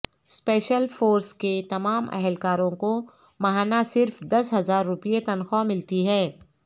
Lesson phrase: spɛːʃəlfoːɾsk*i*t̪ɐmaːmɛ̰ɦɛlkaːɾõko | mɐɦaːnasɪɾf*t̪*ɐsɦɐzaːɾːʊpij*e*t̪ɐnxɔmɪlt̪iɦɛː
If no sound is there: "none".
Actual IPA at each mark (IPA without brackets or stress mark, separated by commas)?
e, d̪, e